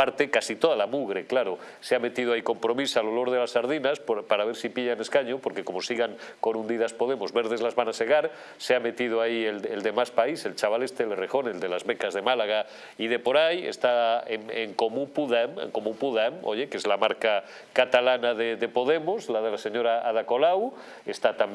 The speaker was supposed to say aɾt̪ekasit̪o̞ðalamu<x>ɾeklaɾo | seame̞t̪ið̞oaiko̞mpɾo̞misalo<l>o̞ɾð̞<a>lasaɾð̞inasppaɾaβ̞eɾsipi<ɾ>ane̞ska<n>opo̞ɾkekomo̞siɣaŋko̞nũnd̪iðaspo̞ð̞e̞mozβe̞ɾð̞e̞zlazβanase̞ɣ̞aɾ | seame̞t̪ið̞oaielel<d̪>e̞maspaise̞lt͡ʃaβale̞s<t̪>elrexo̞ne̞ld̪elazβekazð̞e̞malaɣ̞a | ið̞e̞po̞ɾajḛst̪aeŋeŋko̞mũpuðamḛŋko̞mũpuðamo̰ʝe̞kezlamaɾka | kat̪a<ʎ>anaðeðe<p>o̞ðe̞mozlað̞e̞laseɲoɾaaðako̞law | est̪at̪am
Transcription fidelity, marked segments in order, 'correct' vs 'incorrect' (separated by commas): incorrect, correct, incorrect, incorrect, incorrect, correct, correct, incorrect, correct